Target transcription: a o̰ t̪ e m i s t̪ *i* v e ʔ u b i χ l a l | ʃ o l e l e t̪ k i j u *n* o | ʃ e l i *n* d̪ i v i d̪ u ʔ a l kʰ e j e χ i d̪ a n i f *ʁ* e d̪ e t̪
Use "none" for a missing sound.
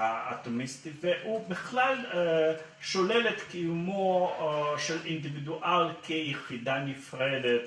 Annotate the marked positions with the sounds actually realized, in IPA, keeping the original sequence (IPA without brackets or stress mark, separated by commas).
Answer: i, m, n, ʁ